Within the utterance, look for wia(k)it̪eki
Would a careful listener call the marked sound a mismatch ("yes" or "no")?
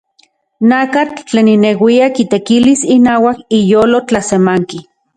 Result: no